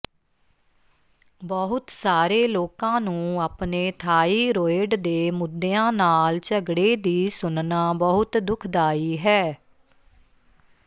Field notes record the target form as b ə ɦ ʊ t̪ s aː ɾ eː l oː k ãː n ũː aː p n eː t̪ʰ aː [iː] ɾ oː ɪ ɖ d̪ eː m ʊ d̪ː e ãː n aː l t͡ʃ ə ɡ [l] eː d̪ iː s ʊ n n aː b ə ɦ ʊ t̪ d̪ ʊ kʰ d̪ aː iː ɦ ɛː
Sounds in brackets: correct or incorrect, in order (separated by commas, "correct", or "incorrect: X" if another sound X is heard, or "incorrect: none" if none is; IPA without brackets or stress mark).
correct, incorrect: ɽ